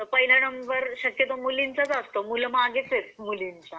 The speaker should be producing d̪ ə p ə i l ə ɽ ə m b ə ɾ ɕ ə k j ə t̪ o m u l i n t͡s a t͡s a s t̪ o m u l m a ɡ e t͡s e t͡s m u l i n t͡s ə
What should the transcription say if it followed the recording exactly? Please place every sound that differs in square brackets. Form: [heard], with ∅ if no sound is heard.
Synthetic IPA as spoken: [t̪] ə p ə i l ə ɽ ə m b ə ɾ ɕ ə k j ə t̪ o m u l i n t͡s a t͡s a s t̪ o m u l m a ɡ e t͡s e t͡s m u l i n t͡s [a]